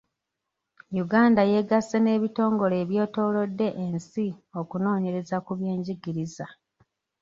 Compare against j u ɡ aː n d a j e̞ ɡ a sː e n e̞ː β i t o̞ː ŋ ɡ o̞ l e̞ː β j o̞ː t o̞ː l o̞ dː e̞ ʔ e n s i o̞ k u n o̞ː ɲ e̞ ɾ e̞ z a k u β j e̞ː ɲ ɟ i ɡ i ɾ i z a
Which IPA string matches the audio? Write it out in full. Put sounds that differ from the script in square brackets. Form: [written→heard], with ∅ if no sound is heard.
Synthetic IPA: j u ɡ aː n d a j e̞ ɡ a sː e n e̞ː β i t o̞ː ŋ ɡ o̞ l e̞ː β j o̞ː t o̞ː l o̞ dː e̞ ʔ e n s i o̞ k u n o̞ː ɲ e̞ ɾ e̞ z a k u β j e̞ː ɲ ɟ i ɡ i ɾ i z a